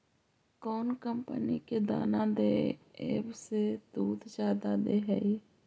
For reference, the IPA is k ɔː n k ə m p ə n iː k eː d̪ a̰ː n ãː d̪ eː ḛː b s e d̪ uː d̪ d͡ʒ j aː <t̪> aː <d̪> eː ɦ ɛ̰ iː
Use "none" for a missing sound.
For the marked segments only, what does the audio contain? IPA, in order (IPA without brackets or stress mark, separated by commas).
d̪, d̪